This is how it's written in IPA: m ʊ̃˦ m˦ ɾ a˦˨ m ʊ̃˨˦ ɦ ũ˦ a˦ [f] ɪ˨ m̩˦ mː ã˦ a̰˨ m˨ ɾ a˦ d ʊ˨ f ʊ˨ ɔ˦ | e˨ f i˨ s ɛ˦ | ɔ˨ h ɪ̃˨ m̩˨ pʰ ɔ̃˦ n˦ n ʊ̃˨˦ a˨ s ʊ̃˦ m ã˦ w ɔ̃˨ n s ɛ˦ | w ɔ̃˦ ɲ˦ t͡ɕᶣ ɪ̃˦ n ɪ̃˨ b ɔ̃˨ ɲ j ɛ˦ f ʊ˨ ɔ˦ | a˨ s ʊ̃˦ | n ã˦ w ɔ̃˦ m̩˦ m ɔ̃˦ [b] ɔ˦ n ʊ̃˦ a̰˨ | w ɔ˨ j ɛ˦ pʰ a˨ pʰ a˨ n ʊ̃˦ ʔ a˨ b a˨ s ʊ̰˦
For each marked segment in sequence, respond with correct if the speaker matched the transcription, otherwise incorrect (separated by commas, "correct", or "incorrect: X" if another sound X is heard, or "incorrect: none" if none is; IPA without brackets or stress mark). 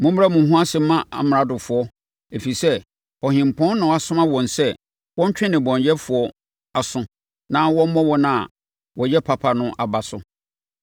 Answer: incorrect: s, incorrect: w